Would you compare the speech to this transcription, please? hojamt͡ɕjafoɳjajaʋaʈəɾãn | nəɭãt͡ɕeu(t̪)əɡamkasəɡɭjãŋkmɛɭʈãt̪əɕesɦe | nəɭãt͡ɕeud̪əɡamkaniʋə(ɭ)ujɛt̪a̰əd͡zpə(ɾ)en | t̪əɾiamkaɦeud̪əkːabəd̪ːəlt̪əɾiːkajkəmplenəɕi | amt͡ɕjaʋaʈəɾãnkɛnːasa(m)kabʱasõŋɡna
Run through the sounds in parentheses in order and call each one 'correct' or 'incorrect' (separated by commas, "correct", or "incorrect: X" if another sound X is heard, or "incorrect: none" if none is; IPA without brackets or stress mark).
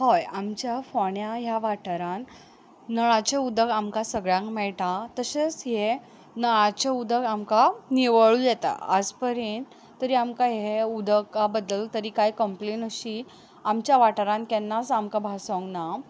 incorrect: d̪, correct, correct, correct